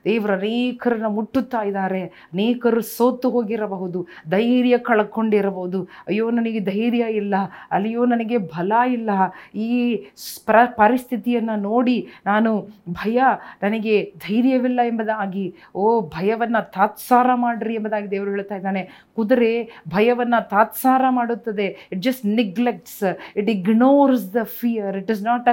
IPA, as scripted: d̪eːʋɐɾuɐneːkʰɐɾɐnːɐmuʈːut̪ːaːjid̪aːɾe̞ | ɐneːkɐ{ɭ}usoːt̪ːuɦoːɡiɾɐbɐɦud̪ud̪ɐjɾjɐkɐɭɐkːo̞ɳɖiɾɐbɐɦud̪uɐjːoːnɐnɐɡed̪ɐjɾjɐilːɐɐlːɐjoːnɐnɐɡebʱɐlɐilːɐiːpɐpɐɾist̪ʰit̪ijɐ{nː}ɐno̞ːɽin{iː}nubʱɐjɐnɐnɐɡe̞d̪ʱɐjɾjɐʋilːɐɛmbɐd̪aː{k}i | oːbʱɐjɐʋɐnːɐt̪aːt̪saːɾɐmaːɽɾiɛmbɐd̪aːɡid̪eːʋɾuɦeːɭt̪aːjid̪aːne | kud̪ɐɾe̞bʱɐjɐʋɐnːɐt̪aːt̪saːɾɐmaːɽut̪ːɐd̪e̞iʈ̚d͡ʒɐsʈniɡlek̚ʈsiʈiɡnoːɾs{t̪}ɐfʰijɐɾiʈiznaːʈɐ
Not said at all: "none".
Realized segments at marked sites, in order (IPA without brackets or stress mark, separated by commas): ɾ, nː, aː, ɡ, d̪